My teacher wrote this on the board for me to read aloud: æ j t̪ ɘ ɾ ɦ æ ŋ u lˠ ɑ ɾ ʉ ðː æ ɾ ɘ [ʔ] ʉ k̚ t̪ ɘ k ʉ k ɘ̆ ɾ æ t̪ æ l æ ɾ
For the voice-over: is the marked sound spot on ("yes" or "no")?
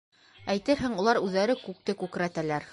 no